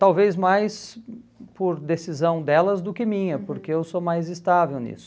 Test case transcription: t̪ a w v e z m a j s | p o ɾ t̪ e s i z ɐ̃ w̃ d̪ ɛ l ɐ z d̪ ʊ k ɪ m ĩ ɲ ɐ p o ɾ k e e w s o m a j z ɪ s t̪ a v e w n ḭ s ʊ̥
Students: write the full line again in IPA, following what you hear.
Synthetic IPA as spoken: t̪ a w v e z m a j s | p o ɾ d̪ e s i z ɐ̃ w̃ d̪ ɛ l ɐ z d̪ ʊ k ɪ m ĩ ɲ ɐ p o ɾ k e e w s o m a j z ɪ s t̪ a v e w n ḭ s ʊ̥